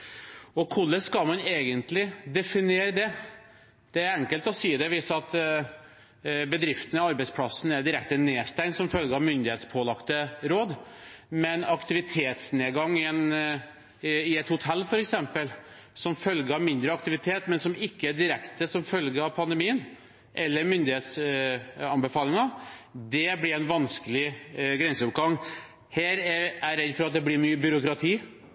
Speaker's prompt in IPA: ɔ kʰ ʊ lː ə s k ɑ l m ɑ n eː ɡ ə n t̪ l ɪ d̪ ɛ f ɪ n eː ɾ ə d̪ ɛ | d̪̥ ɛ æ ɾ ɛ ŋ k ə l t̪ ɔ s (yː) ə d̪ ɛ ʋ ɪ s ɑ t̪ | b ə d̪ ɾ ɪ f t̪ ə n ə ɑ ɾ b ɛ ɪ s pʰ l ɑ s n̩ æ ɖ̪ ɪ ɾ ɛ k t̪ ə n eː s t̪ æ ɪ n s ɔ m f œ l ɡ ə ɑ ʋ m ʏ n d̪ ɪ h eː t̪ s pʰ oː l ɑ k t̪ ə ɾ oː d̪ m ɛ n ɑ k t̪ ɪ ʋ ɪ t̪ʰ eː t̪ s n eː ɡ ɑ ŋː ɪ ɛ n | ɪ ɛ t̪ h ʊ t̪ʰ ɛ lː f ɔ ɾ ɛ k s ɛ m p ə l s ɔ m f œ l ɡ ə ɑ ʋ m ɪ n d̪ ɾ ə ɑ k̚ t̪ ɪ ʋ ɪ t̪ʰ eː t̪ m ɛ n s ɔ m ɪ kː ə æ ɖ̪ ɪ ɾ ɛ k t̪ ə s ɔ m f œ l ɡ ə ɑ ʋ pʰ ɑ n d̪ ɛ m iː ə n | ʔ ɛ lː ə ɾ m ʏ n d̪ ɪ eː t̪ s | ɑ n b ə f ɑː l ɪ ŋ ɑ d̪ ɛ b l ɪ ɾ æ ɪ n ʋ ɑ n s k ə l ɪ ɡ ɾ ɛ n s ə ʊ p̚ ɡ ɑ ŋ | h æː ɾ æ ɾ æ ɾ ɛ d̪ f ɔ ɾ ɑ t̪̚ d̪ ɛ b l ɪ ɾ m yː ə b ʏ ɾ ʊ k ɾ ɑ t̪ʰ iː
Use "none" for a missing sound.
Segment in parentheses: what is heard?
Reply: iː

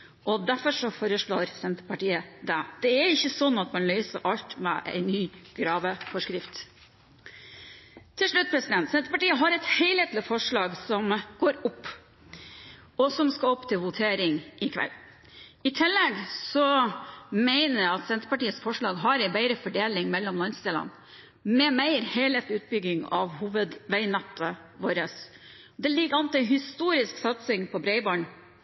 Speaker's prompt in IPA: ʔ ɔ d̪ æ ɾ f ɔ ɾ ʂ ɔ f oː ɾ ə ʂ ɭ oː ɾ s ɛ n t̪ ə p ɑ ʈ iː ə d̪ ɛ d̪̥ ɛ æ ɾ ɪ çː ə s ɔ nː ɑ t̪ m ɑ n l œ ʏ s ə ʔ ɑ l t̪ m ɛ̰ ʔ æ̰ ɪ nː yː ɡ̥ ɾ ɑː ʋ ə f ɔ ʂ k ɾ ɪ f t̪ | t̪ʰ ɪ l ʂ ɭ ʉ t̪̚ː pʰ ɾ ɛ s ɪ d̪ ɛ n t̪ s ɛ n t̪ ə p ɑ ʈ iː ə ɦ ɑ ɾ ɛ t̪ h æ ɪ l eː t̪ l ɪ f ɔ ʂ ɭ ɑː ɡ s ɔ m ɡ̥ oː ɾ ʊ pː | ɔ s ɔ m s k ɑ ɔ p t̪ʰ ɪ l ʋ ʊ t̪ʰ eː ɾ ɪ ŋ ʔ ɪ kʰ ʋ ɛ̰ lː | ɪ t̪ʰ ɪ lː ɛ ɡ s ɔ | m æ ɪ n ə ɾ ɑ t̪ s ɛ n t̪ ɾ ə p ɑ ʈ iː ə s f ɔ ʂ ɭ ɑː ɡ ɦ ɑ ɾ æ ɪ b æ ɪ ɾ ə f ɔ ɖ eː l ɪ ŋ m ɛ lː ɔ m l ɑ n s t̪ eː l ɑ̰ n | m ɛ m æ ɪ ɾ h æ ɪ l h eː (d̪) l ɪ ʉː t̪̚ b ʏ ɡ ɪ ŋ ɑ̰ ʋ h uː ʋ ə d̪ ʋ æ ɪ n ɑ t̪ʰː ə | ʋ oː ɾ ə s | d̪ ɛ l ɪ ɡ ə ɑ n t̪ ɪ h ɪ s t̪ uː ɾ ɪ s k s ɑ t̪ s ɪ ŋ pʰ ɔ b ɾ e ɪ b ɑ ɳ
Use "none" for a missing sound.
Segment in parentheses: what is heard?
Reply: t̪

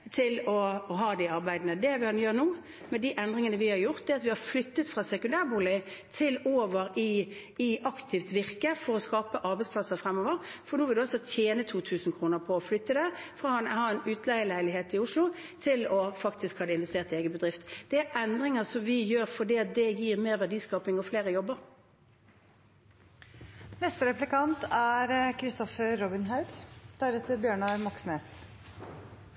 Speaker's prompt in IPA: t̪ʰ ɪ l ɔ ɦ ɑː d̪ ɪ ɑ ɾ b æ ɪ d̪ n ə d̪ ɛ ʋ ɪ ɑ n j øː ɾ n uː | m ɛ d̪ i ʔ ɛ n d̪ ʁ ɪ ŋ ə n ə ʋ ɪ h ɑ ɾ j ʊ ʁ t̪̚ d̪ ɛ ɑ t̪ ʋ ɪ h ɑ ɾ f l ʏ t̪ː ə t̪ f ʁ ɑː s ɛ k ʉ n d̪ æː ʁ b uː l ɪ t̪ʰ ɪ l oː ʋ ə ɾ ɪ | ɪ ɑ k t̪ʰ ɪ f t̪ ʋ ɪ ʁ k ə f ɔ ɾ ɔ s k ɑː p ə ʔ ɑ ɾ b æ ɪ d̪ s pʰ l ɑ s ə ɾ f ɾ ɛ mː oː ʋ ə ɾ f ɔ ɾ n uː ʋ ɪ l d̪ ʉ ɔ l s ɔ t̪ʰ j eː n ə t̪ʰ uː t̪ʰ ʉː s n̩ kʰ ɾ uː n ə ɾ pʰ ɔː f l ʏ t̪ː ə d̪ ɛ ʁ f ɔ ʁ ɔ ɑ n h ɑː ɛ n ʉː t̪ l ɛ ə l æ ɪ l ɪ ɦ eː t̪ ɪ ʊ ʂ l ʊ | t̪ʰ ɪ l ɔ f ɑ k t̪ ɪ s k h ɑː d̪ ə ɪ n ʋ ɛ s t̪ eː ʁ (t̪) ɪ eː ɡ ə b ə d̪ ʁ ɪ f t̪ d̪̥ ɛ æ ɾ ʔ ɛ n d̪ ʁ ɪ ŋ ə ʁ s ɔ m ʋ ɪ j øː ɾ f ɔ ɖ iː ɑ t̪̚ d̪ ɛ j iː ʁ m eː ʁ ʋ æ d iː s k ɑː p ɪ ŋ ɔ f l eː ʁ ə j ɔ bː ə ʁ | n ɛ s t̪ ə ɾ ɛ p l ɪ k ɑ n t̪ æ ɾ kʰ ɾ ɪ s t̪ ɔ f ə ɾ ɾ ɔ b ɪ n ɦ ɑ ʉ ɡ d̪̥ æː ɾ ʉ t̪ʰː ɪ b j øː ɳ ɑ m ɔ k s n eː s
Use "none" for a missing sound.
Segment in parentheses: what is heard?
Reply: t̪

